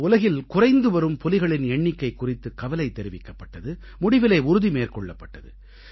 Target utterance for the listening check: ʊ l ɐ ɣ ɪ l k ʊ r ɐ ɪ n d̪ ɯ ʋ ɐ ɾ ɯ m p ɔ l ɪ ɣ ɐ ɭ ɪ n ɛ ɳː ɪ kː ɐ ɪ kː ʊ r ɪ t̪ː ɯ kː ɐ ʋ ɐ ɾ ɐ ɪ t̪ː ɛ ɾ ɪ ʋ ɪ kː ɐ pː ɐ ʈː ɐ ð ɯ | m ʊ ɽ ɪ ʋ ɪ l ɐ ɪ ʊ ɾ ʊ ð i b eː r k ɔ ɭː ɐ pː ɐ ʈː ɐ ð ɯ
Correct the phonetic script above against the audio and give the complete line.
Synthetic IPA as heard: ʊ l ɐ ɣ ɪ l k ʊ r ɐ ɪ n d̪ ɯ ʋ ɐ ɾ ɯ m p ɔ l ɪ ɣ ɐ ɭ ɪ n ɛ ɳː ɪ kː ɐ ɪ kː ʊ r ɪ t̪ː ɯ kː ɐ ʋ ɐ l ɐ ɪ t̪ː ɛ ɾ ɪ ʋ ɪ kː ɐ pː ɐ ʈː ɐ ð ɯ | m ʊ ɽ ɪ ʋ ɪ l ɐ ɪ ʊ ɾ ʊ ð i m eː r k ɔ ɭː ɐ pː ɐ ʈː ɐ ð ɯ

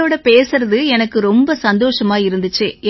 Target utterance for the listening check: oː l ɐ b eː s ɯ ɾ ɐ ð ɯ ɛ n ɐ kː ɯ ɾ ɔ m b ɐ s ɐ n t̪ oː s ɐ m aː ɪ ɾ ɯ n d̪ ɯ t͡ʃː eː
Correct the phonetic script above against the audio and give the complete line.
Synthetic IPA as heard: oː ɽ ɐ p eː s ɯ ɾ ɐ ð ɯ ɛ n ɐ kː ɯ ɾ ɔ m b ɐ s ɐ n d̪ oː ʂ ɐ m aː ɪ ɾ ɯ n d̪ ɯ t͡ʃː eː

